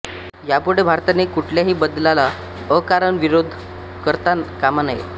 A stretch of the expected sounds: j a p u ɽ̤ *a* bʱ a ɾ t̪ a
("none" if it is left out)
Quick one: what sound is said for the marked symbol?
e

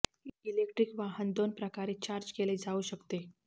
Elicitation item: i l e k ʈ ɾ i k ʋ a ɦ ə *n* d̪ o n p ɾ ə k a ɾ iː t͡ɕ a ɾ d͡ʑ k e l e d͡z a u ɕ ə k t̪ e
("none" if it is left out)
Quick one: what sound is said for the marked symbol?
n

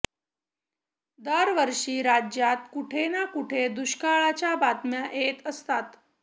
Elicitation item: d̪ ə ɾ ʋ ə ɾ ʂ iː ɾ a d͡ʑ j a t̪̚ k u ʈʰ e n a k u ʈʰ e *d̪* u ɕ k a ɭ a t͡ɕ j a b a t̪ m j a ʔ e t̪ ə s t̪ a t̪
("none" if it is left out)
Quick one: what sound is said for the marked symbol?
d̪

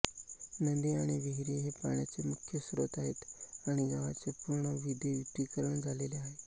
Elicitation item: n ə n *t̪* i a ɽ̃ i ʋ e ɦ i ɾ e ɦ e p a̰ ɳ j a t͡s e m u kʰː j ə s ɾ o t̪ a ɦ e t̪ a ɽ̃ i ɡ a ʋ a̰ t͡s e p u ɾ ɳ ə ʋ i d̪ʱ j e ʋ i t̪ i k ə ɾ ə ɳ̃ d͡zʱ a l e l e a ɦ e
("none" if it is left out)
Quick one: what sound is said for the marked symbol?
d̪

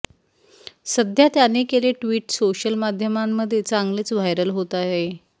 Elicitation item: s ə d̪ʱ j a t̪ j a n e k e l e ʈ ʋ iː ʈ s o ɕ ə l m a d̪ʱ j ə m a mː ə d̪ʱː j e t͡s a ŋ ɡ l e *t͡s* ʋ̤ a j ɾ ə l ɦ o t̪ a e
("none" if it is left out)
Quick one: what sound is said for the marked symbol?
t͡s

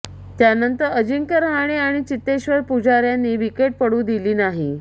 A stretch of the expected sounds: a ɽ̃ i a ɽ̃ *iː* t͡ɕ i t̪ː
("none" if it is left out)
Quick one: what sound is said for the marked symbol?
i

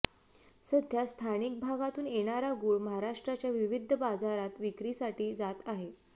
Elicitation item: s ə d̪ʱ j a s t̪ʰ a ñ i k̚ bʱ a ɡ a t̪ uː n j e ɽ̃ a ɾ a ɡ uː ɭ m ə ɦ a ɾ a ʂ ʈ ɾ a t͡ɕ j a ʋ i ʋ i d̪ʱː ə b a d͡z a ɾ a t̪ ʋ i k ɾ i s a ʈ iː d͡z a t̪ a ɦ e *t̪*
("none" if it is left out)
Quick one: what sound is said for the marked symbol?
none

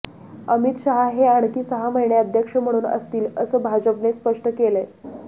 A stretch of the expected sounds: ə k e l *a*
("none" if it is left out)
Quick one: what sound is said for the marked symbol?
e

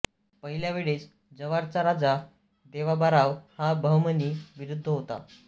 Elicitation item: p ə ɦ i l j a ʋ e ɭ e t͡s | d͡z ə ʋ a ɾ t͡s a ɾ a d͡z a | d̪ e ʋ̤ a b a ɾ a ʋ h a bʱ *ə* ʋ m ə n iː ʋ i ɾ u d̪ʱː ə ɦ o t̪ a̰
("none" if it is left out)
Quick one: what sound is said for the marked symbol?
ə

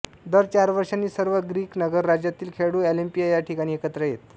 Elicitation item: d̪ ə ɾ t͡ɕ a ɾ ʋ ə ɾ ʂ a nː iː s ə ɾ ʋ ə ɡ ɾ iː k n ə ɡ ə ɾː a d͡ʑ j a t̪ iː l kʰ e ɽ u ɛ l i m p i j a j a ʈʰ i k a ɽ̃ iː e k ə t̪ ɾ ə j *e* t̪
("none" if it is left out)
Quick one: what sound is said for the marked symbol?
e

